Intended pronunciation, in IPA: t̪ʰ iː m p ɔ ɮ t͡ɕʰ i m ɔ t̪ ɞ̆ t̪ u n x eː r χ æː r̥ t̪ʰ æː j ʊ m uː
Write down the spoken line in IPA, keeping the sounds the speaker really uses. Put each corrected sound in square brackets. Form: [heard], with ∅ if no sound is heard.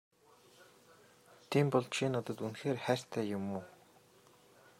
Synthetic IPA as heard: t̪ʰ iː m p ɔ ɮ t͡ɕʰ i [n] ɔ t̪ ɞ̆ t̪ u n x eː r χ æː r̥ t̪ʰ æː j ʊ m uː